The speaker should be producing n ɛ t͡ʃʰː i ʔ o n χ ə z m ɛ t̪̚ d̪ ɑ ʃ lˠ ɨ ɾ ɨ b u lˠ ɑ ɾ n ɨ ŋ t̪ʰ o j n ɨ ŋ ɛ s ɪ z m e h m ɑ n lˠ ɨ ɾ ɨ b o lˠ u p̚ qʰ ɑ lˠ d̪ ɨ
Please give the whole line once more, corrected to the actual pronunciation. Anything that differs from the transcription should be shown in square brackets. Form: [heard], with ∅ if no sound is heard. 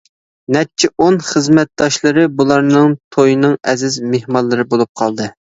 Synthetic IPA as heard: n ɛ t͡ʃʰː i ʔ o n χ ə z m ɛ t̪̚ d̪ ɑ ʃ lˠ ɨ ɾ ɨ b u lˠ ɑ ɾ n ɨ ŋ t̪ʰ o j n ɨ ŋ ɛ [z] ɪ z m e h m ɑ n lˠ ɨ ɾ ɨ b o lˠ u p̚ qʰ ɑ lˠ d̪ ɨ